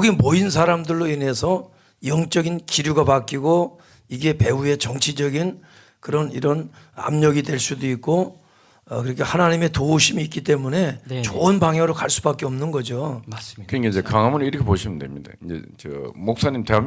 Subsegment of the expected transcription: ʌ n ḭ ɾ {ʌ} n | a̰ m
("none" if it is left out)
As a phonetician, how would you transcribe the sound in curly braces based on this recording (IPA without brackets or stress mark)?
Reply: ʌ